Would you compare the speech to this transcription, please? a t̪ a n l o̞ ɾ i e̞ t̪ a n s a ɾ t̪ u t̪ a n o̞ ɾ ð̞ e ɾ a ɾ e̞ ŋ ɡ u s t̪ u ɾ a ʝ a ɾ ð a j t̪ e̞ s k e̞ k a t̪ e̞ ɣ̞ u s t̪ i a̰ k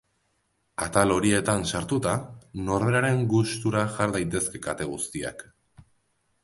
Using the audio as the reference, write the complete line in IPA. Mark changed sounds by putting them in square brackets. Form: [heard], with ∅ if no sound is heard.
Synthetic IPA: a t̪ a [∅] l o̞ ɾ i e̞ t̪ a n s a ɾ t̪ u t̪ a n o̞ ɾ ð̞ e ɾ a ɾ e̞ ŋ ɡ u s t̪ u ɾ a ʝ a ɾ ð a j t̪ e̞ s k e̞ k a t̪ e̞ ɣ̞ u s t̪ i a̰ k